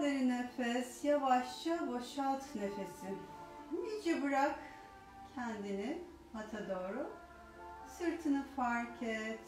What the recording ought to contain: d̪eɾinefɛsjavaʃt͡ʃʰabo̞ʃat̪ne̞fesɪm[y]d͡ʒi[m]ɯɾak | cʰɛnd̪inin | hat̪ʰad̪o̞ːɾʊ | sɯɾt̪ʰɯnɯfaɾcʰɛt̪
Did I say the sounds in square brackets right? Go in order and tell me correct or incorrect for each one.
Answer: incorrect, incorrect

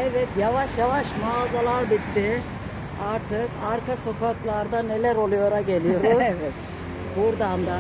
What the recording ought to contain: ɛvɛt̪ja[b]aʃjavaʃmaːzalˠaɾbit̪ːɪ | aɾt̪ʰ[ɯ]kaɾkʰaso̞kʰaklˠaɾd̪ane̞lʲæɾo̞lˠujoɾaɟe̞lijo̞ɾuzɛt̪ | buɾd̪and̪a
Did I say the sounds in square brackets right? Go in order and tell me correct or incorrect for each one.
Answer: incorrect, correct

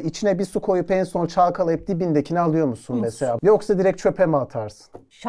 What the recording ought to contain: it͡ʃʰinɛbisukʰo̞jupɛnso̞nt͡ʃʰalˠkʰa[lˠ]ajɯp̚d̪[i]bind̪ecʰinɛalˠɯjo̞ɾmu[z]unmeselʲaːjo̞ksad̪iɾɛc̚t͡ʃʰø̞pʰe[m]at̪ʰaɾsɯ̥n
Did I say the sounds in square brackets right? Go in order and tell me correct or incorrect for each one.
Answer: correct, correct, incorrect, correct

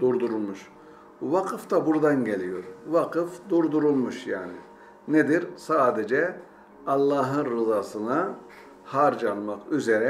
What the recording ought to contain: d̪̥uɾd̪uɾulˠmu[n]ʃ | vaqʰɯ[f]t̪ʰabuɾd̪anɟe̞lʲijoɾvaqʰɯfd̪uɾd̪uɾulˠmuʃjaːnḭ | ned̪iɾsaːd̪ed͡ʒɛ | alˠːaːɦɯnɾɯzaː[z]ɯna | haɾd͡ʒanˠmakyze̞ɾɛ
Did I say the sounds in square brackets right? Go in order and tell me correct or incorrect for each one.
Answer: incorrect, correct, incorrect

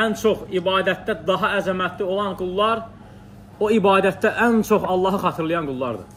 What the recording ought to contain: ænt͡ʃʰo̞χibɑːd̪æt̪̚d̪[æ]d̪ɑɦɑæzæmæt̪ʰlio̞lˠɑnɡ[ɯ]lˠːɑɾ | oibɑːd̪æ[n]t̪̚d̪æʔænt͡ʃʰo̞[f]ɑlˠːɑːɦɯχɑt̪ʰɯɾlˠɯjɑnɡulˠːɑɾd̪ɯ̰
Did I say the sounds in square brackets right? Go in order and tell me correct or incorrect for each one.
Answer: correct, incorrect, incorrect, incorrect

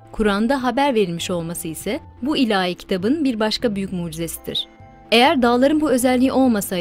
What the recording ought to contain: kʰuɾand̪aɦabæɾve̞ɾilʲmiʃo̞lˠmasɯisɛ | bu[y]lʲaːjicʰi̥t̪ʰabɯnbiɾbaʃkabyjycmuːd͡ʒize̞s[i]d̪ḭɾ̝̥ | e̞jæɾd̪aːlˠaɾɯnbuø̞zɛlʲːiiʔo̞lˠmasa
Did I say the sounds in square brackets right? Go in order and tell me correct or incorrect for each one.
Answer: incorrect, correct

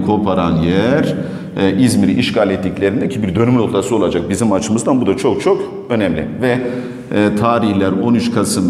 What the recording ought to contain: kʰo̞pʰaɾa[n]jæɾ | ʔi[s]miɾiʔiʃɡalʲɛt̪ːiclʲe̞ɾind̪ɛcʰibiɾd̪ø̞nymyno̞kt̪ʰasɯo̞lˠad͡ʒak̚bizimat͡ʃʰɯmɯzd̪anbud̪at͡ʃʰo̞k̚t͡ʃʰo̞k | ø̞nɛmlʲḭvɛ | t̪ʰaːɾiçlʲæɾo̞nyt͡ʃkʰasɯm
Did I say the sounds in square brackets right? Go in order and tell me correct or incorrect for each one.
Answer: correct, incorrect

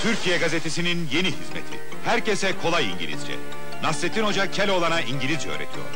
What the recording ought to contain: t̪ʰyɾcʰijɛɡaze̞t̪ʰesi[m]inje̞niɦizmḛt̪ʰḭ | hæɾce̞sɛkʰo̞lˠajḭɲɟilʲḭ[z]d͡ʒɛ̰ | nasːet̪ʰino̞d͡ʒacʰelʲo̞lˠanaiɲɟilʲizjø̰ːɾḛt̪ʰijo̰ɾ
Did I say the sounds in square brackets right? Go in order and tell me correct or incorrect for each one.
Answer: incorrect, correct

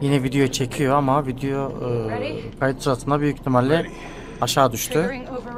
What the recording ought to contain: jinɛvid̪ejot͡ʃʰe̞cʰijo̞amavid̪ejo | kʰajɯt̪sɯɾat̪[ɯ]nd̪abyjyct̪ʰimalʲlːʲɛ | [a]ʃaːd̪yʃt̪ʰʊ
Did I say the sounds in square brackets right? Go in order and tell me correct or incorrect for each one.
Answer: correct, correct

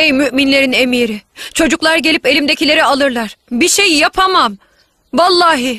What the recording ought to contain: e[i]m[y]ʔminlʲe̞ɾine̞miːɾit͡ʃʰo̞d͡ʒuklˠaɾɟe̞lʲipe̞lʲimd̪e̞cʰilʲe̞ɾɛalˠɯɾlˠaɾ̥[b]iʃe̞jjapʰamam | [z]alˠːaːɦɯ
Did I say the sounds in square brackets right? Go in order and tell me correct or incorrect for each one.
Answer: incorrect, correct, correct, incorrect

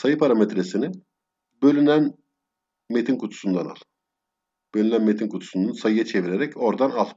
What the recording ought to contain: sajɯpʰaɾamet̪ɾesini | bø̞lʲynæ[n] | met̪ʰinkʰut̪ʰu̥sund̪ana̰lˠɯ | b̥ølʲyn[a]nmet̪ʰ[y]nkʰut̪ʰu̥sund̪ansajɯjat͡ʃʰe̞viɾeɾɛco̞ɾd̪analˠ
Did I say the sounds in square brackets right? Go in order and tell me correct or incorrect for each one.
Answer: correct, incorrect, incorrect

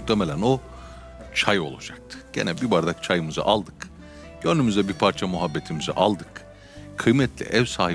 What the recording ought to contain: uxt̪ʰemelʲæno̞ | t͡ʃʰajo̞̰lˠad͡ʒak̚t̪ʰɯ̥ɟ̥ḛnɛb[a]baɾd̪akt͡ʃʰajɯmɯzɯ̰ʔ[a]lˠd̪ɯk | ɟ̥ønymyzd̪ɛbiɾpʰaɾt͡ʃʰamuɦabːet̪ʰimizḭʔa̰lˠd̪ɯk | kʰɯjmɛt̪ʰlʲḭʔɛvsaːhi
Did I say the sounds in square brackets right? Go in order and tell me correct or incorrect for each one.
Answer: incorrect, correct

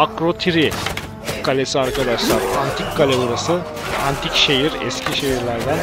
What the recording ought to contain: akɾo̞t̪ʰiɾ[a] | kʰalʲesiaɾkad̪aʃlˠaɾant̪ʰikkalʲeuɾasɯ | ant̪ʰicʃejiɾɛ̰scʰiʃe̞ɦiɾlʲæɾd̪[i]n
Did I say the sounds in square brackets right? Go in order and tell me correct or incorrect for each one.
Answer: incorrect, incorrect

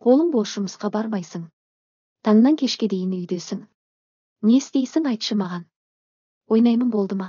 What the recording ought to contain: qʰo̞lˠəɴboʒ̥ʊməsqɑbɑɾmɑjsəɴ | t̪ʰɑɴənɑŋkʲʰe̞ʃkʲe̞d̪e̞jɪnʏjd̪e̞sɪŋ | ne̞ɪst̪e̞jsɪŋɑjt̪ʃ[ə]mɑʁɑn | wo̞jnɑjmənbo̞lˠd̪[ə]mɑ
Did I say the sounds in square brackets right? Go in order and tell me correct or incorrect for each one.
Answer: correct, correct

